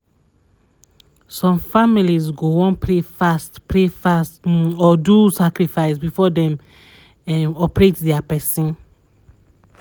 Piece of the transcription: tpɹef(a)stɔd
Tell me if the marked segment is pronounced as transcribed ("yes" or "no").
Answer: yes